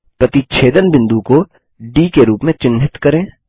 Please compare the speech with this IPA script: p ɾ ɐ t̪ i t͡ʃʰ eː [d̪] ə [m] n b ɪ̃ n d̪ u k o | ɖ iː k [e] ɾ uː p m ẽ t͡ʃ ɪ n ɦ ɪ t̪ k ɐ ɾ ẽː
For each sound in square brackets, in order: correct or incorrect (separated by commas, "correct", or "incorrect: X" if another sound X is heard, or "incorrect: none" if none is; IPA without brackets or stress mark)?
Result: correct, incorrect: none, correct